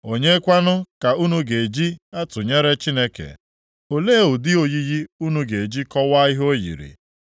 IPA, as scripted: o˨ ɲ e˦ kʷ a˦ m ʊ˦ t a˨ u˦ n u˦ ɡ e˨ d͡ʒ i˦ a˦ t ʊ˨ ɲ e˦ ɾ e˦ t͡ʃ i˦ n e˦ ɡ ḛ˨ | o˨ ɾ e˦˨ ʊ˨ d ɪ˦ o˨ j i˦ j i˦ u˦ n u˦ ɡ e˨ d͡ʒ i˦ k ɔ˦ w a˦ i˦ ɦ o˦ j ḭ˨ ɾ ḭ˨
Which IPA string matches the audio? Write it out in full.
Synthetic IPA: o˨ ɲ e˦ kʷ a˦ n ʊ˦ k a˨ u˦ n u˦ ɡ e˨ d͡ʒ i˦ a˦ t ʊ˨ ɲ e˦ ɾ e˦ t͡ʃ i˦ n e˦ k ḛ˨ | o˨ l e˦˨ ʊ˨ d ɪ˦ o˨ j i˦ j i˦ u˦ n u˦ ɡ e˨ d͡ʒ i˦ k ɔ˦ w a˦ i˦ ɦ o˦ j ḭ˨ ɾ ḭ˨